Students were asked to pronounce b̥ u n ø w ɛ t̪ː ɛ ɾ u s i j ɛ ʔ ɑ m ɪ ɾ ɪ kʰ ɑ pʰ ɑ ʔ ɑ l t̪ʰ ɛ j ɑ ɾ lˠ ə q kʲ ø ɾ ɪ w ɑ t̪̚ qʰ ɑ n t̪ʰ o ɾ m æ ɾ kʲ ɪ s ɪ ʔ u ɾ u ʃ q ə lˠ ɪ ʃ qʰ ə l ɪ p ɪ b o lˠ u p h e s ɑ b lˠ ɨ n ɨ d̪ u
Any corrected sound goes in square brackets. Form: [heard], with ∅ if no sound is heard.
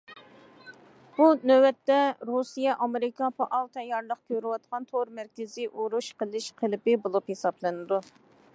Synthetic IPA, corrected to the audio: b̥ u n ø w ɛ t̪ː ɛ ɾ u s i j ɛ ʔ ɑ m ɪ ɾ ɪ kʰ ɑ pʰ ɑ ʔ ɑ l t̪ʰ ɛ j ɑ ɾ lˠ ə q kʲ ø ɾ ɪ w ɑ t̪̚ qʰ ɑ n t̪ʰ o ɾ m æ ɾ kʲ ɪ [z] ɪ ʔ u ɾ u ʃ q ə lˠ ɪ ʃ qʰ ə l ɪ p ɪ b o lˠ u p h e s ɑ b lˠ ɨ n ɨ d̪ u